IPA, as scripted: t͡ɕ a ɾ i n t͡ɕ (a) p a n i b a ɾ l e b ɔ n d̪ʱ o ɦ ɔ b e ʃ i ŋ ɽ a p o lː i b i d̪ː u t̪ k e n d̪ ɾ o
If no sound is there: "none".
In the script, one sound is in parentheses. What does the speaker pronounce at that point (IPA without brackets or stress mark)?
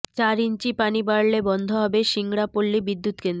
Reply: i